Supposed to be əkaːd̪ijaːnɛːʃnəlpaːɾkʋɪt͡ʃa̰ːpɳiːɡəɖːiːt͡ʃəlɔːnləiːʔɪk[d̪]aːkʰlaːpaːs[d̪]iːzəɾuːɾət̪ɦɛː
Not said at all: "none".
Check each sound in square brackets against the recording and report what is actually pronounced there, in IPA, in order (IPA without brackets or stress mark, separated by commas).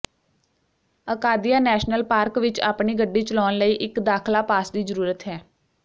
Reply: d̪, d̪